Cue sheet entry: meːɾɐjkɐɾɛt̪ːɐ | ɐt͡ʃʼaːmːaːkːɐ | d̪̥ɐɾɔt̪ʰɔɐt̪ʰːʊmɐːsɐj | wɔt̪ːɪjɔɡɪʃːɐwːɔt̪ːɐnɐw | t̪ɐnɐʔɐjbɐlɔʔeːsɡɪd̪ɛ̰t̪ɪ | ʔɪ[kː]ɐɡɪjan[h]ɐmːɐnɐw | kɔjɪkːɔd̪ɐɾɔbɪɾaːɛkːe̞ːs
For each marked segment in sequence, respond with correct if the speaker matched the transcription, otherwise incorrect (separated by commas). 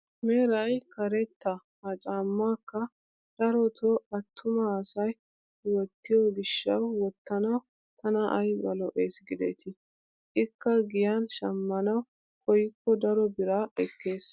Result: correct, incorrect